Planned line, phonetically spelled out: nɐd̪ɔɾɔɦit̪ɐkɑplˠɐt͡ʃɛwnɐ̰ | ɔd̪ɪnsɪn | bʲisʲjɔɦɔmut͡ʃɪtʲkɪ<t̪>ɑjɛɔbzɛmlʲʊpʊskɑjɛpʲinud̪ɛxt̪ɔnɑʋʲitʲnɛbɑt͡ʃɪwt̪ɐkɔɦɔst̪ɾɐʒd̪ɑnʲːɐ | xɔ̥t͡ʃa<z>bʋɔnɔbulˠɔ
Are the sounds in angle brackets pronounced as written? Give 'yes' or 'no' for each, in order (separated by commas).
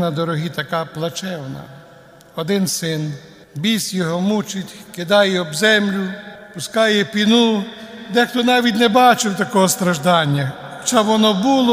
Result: no, no